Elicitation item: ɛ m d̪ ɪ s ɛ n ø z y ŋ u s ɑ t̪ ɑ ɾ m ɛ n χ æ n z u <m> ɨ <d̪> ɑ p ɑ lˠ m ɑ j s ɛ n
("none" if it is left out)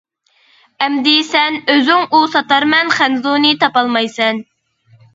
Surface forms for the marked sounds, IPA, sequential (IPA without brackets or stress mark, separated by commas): n, t̪